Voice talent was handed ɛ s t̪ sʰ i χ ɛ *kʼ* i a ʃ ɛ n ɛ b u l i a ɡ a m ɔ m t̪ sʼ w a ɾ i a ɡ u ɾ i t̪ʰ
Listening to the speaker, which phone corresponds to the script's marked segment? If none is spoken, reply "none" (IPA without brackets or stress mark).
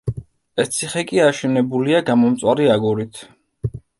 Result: kʼ